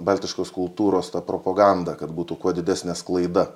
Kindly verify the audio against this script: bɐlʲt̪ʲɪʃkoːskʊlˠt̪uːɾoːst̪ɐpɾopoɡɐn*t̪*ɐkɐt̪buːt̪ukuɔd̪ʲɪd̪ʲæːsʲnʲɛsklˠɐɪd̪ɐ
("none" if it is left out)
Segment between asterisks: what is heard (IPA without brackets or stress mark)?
d̪